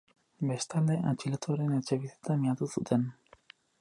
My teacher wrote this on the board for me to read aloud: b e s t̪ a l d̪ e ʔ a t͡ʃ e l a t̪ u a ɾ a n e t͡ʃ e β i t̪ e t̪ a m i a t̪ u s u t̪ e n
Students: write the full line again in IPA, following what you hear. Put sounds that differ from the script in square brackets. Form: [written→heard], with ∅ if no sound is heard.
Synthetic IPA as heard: b e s t̪ a l d̪ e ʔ a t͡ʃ [e→i] l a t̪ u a ɾ [a→e] n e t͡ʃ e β i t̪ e t̪ a m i a t̪ u s u t̪ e n